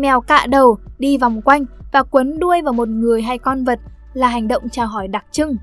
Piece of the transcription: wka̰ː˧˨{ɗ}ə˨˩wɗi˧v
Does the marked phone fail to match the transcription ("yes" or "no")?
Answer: no